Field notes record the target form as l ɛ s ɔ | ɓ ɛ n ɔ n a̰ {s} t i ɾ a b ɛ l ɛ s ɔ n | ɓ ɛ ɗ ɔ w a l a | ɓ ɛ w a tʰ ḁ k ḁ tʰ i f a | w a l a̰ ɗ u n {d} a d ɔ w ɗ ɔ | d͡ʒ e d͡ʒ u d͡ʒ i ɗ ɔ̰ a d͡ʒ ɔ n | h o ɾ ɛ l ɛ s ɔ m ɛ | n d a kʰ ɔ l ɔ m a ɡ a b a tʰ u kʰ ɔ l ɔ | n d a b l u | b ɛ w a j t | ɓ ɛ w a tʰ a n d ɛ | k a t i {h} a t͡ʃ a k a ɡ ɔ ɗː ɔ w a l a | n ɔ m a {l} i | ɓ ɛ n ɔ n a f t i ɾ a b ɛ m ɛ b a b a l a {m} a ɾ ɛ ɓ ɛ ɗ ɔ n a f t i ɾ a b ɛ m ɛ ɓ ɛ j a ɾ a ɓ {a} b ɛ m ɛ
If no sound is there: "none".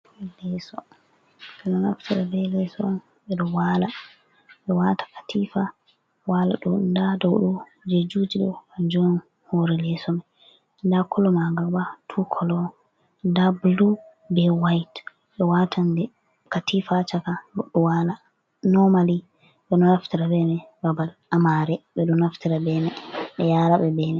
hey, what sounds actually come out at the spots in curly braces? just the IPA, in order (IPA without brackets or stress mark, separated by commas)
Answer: f, d, f, l, m, ɛ